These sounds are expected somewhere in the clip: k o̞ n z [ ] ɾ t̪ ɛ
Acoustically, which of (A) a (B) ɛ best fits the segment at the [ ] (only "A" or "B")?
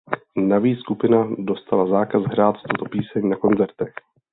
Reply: B